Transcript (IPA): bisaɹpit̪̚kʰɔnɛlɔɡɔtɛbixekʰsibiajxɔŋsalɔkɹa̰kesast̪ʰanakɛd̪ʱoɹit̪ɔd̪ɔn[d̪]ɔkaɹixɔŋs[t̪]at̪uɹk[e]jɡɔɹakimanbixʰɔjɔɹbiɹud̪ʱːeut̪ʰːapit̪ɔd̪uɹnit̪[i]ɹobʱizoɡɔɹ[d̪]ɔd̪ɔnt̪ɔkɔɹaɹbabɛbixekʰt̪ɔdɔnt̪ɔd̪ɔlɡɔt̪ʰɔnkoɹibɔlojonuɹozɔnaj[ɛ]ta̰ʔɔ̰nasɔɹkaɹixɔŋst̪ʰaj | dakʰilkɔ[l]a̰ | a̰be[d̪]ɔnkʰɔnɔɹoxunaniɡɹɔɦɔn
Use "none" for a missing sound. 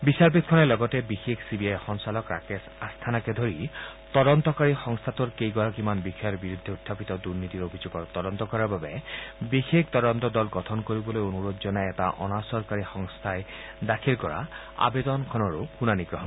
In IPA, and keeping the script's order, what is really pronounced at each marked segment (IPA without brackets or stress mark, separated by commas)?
t̪, t̪ʰ, e, i, t̪, ɛ, ɹ, d̪